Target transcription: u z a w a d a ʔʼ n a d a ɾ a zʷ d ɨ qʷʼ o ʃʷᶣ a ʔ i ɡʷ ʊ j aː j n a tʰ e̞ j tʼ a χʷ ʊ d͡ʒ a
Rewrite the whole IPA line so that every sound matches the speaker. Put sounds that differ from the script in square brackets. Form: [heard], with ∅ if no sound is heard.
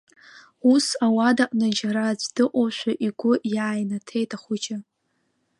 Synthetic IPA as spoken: u [s] a w a d a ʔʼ n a [d͡ʒ] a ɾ a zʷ d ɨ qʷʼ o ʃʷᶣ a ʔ i ɡʷ ʊ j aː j n a tʰ e̞ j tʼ a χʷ ʊ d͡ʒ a